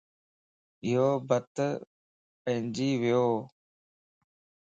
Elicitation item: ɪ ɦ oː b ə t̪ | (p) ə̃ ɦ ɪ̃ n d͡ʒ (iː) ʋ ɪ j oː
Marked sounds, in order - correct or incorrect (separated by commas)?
correct, correct